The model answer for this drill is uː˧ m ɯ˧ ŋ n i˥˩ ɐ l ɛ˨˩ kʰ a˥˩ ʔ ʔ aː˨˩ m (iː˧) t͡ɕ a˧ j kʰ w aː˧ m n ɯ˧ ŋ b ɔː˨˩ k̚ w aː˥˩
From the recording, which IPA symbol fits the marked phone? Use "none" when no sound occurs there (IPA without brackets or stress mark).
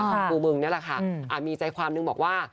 iː˧